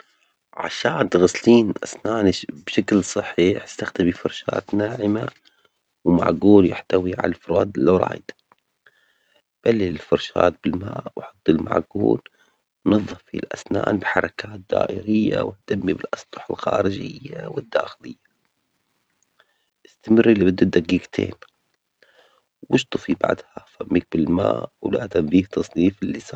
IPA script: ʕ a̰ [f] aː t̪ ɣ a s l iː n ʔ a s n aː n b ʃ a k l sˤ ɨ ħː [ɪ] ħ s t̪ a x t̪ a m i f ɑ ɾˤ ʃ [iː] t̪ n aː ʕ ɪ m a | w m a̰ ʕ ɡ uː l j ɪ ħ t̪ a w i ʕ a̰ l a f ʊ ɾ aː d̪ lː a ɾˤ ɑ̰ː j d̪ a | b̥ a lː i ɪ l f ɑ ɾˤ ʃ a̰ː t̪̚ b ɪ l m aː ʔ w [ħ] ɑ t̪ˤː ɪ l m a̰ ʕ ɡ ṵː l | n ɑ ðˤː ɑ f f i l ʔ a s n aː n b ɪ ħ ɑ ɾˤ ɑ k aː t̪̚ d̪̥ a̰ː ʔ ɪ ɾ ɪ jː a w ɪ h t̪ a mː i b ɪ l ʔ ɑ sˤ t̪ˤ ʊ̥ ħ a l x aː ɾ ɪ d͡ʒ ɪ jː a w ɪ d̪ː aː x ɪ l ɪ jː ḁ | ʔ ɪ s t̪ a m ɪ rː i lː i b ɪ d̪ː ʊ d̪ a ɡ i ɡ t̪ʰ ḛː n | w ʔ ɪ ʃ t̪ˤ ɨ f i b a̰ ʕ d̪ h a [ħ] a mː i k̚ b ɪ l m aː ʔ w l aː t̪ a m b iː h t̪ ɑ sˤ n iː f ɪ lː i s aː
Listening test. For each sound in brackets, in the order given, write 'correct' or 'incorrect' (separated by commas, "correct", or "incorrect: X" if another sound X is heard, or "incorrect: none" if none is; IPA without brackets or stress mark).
incorrect: ʃ, incorrect: i, incorrect: aː, correct, incorrect: f